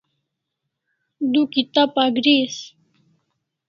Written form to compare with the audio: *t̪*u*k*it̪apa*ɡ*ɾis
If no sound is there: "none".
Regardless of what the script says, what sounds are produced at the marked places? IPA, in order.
d̪, k, ɡ

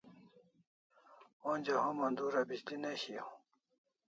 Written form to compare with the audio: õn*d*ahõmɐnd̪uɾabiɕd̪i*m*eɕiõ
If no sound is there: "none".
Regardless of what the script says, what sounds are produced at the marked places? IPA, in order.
d͡ʑ, n

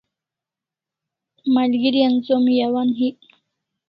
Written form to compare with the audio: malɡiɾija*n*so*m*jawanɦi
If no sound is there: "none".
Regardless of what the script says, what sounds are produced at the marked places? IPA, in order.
n, m

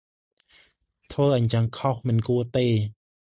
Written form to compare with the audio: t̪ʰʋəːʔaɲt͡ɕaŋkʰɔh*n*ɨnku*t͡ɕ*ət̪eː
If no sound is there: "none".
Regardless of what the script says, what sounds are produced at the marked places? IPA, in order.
m, none

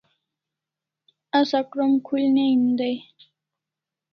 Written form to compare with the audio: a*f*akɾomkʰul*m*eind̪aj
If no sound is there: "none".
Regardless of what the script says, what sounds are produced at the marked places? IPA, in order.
s, n

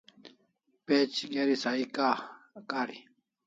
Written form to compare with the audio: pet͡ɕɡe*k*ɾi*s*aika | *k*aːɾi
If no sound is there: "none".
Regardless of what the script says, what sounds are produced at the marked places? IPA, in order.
none, s, k

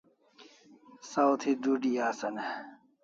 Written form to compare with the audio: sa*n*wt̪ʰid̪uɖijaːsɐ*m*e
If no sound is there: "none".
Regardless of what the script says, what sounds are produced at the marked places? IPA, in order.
none, n

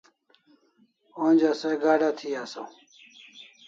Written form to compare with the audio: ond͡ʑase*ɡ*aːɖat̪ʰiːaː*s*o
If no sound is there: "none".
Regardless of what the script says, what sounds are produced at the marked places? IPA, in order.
ɡ, s

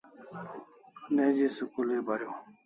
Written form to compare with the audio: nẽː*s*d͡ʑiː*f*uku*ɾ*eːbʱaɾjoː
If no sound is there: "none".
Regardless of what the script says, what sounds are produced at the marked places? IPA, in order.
none, s, l

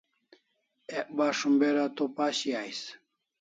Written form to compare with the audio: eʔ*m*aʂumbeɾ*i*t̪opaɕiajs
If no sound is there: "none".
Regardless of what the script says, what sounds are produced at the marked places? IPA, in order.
b, a

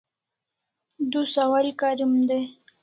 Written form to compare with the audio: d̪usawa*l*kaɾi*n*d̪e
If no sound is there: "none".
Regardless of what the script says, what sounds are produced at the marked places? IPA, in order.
l, m

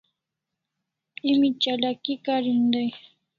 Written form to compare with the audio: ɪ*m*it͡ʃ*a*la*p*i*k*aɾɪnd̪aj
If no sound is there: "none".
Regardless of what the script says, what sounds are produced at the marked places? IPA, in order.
m, a, k, k

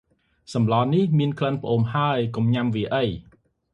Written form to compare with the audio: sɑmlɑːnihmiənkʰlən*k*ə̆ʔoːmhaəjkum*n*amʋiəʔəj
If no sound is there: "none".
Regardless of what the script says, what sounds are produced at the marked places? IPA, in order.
p, ɲ

